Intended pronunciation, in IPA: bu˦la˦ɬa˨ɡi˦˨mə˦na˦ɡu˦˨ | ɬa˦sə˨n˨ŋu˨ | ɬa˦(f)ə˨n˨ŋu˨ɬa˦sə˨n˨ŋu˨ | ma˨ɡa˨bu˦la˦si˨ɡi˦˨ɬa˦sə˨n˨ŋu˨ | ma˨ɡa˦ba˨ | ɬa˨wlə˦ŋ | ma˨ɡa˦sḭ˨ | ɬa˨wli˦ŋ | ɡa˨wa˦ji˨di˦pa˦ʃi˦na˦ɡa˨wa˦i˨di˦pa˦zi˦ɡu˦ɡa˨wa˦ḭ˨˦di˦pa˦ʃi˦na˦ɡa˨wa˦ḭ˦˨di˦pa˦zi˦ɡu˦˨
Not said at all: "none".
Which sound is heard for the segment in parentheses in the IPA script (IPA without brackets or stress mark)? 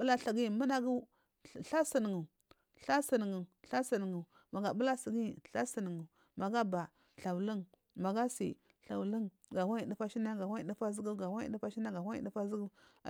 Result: s